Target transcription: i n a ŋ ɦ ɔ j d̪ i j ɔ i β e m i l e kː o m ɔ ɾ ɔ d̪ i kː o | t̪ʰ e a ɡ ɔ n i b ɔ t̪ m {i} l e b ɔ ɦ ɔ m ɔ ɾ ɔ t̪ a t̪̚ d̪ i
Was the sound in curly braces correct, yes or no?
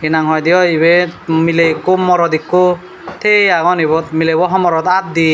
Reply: yes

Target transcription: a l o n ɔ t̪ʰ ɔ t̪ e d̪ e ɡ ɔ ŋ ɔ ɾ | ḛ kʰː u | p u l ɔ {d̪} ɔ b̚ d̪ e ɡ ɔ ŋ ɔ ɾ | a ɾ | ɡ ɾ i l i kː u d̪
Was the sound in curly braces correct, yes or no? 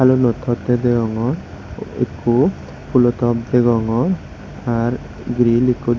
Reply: no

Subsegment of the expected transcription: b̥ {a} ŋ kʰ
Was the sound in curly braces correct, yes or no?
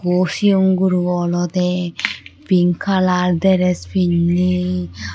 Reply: no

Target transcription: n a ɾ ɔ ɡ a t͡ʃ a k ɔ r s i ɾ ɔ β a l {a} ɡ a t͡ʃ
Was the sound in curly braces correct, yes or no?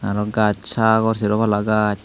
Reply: yes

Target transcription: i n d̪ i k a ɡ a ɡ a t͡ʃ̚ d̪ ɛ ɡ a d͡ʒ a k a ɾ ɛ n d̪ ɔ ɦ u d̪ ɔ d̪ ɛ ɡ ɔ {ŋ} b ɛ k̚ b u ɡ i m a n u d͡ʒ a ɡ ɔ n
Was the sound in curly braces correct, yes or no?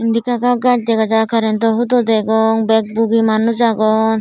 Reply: yes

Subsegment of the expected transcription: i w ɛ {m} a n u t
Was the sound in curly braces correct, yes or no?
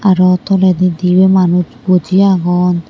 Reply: yes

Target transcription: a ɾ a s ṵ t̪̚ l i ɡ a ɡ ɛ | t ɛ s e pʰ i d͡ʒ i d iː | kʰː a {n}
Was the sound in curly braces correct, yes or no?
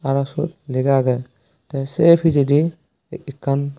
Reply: yes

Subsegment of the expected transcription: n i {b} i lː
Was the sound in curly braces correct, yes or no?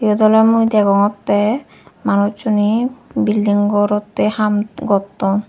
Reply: yes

